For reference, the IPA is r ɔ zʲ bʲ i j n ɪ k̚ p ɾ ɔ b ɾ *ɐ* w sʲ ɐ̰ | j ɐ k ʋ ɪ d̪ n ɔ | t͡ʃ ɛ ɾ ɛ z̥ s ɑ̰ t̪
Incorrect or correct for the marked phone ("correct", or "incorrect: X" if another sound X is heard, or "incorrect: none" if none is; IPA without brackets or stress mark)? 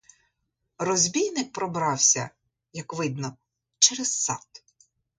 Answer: incorrect: ɑ